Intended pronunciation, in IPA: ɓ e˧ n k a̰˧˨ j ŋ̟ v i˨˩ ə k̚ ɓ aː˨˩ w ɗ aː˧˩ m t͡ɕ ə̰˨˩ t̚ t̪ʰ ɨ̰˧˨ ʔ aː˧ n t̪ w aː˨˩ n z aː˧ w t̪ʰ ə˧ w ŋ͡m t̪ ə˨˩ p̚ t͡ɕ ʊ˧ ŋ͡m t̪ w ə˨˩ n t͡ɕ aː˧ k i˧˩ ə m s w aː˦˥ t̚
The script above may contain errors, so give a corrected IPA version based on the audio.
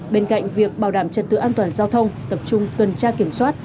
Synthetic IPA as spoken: ɓ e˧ n k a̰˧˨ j ŋ̟ v i˨˩ ə k̚ ɓ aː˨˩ w ɗ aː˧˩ m t͡ɕ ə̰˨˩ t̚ t̪ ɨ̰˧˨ ʔ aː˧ n t̪ w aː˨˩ n z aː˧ w t̪ʰ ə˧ w ŋ͡m t̪ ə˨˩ p̚ t͡ɕ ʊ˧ ŋ͡m t̪ w ə˨˩ n t͡ɕ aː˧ k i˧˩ ə m s w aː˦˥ t̚